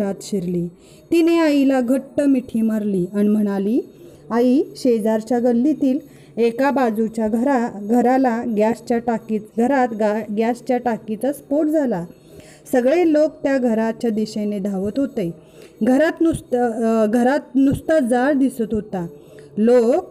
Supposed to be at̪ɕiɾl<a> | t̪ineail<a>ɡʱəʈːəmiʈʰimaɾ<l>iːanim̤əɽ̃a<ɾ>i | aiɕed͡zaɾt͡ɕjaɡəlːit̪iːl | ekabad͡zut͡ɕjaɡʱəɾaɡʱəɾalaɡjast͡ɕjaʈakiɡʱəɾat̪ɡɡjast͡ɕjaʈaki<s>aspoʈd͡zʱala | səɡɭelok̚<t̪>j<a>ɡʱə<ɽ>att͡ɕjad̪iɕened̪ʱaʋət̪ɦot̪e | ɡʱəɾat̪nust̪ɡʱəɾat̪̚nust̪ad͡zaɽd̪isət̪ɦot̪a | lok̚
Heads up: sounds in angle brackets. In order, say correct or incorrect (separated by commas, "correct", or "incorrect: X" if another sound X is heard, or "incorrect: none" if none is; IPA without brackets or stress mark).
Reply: incorrect: i, correct, correct, incorrect: l, incorrect: t͡s, correct, correct, incorrect: ɾ